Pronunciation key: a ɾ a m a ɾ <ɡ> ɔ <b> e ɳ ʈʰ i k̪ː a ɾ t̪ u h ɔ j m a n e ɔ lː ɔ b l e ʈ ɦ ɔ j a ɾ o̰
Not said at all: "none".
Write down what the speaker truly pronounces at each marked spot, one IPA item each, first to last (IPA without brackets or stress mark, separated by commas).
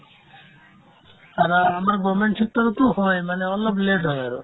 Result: ɡ, m